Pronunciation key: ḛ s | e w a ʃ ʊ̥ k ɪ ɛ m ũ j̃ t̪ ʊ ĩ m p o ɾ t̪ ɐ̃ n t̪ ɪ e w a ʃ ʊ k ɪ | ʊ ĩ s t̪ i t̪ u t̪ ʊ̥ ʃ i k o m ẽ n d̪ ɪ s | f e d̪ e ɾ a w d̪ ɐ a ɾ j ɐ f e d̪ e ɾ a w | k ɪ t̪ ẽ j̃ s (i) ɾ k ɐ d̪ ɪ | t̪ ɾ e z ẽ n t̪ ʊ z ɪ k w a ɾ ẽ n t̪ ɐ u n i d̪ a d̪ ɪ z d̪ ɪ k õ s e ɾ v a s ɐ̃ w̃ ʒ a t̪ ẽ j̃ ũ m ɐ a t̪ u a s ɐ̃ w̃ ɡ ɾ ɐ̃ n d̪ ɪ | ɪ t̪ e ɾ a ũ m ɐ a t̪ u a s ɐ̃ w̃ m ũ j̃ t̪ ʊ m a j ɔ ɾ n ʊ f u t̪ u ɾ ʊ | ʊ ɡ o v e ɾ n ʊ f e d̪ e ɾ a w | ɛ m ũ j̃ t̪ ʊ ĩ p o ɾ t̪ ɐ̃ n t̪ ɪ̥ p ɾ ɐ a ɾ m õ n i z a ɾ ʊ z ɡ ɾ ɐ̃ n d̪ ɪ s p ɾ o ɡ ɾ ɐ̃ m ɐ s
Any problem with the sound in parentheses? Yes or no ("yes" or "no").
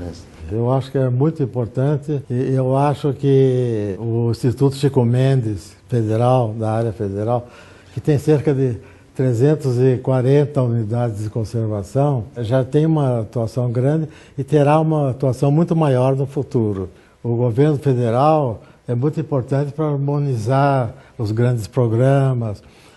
yes